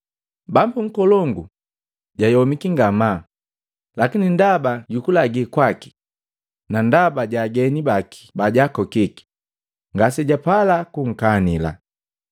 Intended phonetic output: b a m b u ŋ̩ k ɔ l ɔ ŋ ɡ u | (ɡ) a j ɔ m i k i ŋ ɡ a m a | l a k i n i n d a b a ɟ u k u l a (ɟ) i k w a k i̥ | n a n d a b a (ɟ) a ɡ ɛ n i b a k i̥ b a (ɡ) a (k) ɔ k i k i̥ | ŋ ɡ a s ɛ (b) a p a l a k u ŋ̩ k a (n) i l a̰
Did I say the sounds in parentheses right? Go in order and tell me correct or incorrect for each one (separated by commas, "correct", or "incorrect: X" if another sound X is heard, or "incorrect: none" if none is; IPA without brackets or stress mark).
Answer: incorrect: ɟ, incorrect: ɡ, correct, incorrect: ɟ, correct, incorrect: ɟ, correct